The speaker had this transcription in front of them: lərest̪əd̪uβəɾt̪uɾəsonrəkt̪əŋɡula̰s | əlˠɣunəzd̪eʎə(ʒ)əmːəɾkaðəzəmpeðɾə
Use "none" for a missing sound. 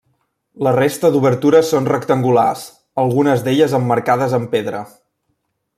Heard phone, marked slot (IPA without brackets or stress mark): z